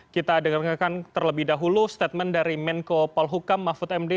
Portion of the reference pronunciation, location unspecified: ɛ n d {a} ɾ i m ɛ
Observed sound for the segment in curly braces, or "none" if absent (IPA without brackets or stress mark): a